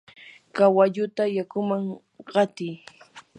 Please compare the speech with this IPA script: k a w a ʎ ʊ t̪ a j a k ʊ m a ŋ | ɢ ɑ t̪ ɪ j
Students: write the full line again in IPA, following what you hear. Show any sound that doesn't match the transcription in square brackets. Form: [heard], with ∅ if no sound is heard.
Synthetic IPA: k a w a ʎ ʊ t̪ a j a k ʊ m a ŋ | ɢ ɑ t̪ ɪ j